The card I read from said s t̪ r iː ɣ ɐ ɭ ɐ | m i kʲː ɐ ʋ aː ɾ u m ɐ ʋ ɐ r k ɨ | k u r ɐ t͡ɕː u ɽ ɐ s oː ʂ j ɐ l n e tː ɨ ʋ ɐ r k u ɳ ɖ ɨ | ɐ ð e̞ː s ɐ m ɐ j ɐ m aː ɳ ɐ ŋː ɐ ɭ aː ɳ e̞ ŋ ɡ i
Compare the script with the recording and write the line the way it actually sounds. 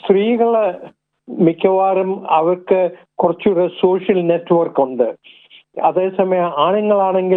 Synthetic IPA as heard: s t̪ r iː ɣ ɐ ɭ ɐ | m i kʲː ɐ ʋ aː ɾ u m ɐ ʋ ɐ r k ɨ | k u r ɐ t͡ɕː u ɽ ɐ s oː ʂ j ɐ l n e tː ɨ ʋ ɐ r k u ɳ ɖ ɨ | ɐ ð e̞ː s ɐ m ɐ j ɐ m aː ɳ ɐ ŋː ɐ ɭ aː ɳ e̞ ŋ ɡ i